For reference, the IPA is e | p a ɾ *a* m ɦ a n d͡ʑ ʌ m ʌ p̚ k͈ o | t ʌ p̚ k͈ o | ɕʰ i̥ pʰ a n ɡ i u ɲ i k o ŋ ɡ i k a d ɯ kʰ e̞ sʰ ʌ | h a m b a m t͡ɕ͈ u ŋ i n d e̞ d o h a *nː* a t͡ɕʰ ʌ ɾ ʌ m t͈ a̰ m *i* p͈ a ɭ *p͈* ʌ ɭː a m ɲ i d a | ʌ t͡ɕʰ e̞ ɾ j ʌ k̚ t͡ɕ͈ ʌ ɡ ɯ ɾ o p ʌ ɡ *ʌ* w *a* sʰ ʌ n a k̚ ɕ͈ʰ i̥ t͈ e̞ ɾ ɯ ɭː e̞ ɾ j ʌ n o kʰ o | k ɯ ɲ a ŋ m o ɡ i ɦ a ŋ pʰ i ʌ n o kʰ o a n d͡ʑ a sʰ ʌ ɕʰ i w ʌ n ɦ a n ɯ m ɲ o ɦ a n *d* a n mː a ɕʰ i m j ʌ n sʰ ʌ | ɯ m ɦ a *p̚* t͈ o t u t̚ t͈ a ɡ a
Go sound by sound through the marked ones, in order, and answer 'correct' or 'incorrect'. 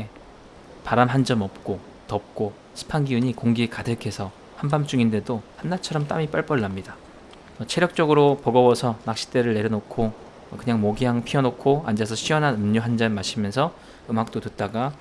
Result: correct, correct, correct, correct, correct, incorrect, incorrect, incorrect

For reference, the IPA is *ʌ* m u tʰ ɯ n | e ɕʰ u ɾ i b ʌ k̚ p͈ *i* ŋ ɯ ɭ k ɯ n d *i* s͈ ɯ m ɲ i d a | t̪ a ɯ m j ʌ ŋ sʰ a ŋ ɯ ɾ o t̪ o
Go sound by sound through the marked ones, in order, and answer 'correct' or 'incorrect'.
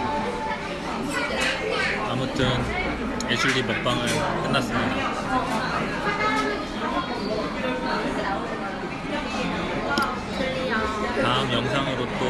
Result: incorrect, incorrect, incorrect

